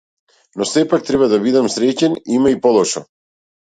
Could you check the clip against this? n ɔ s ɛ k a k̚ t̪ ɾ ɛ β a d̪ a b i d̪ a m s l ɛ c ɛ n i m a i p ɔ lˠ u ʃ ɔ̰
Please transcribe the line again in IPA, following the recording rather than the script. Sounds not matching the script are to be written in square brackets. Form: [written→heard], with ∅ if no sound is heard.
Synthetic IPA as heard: n ɔ s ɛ [k→p] a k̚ t̪ ɾ ɛ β a d̪ a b i d̪ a m s [l→ɾ] ɛ c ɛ n i m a i p ɔ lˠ [u→ɔ] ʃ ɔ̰